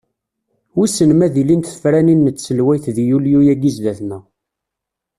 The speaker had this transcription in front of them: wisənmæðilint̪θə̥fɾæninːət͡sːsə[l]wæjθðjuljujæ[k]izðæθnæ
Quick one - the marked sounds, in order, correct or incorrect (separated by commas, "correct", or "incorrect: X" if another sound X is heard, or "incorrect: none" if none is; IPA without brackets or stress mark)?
correct, incorrect: ɡ